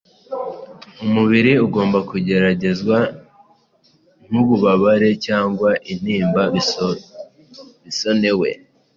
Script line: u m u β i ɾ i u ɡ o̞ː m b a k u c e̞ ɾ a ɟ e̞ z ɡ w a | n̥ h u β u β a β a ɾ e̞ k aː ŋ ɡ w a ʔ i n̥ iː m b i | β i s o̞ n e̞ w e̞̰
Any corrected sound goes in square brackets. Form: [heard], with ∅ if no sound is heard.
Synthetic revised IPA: u m u β i ɾ i u ɡ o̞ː m b a k u [ɟ] e̞ ɾ a ɟ e̞ z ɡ w a | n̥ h u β u β a β a ɾ e̞ [c] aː ŋ ɡ w a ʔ i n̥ iː m b [a] | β i s o̞ n e̞ w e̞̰